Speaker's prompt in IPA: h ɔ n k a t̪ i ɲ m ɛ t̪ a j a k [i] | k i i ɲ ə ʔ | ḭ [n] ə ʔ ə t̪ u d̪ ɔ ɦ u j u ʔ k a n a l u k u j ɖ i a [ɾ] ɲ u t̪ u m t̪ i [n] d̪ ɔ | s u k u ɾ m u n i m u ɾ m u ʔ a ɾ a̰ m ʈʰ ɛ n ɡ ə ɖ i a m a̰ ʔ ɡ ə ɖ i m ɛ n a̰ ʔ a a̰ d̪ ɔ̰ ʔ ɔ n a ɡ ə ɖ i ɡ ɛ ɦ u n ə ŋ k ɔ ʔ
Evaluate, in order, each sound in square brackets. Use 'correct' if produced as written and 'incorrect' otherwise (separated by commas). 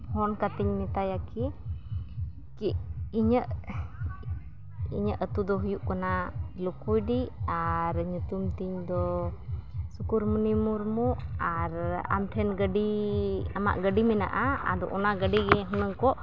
correct, incorrect, correct, incorrect